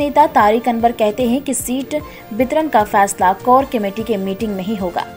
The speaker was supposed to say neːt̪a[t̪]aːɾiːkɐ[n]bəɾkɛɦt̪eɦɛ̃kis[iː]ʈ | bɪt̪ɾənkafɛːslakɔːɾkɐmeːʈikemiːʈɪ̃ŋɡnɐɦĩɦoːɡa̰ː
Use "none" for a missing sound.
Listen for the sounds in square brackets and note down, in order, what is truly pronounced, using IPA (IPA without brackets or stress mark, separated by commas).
t̪, n, iː